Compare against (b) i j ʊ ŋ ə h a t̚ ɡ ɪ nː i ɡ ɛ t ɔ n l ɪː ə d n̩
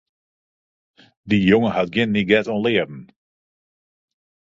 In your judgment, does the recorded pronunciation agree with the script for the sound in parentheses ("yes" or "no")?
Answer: no